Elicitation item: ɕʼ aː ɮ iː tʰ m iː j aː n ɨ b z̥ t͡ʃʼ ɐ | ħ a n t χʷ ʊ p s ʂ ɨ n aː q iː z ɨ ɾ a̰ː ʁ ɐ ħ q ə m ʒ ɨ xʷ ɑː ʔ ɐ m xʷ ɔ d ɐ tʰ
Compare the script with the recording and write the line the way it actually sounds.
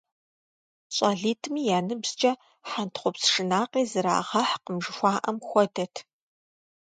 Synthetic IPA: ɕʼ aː ɮ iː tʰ m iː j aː n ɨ b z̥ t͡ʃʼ ɐ | ħ a n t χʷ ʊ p s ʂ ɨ n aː q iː z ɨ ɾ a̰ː ʁ ɐ ħ q ə m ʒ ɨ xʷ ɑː ʔ ɐ m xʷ ɔ d ɐ tʰ

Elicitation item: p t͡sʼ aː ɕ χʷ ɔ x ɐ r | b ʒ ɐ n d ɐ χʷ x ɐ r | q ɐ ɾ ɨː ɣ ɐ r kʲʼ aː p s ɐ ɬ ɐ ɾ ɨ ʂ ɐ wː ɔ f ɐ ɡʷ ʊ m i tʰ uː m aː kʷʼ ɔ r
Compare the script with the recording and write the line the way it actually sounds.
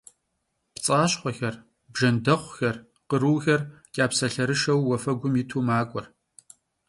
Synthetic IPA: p t͡sʼ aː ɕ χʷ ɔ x ɐ r | b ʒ ɐ n d ɐ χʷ x ɐ r | q ə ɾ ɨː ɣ ɐ r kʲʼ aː p s ɐ ɬ ɐ ɾ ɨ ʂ ɐ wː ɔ f ɐ ɡʷ ʊ m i tʰ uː m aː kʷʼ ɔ r

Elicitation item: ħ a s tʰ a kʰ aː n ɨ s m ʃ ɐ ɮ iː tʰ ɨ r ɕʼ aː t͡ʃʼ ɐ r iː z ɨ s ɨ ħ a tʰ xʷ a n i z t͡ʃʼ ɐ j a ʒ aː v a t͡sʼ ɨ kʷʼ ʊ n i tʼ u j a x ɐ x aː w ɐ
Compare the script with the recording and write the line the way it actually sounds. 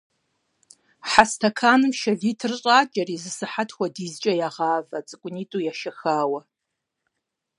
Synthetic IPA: ħ a s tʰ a kʰ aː n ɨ m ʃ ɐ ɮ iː tʰ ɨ r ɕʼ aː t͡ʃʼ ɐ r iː z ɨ s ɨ ħ a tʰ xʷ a d i z t͡ʃʼ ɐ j a ʁ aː v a t͡sʼ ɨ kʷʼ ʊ n i tʼ u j a ʃ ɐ x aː w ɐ

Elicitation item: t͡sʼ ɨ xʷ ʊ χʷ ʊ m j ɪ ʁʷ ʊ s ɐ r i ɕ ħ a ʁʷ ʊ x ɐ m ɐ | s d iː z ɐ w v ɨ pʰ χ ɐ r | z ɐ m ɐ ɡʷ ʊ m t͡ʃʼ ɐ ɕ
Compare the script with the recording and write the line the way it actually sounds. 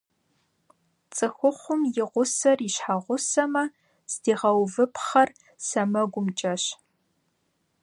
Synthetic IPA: t͡sʼ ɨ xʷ ʊ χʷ ʊ m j ɪ ʁʷ ʊ s ɐ r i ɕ ħ a ʁʷ ʊ s ɐ m ɐ | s d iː ʁ ɐ w v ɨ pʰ χ ɐ r | s ɐ m ɐ ɡʷ ʊ m t͡ʃʼ ɐ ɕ

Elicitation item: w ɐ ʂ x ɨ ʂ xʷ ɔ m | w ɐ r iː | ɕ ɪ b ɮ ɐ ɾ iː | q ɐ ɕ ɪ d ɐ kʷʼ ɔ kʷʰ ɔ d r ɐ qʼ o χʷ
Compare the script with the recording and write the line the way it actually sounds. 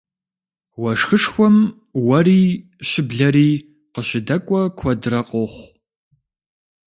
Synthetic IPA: w ɐ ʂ x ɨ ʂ xʷ ɔ m | w ɐ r iː | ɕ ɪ b ɮ ɐ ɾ iː | q ə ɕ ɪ d ɐ kʷʼ ɔ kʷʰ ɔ d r ɐ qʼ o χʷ

